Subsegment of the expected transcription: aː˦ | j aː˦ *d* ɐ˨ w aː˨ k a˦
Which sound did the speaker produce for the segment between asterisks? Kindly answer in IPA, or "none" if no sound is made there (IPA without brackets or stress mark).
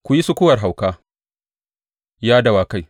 d